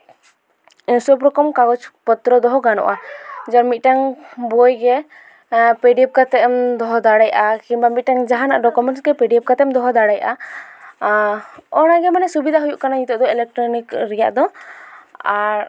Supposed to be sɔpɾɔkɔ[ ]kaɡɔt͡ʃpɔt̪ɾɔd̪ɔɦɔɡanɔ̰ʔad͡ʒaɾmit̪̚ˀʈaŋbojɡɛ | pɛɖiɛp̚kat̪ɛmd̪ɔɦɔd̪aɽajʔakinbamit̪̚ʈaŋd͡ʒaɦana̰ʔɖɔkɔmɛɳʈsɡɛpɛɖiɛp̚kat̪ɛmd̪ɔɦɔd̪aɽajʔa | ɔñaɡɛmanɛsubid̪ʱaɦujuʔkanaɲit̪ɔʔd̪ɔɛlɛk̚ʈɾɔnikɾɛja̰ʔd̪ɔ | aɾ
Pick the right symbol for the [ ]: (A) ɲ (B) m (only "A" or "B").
B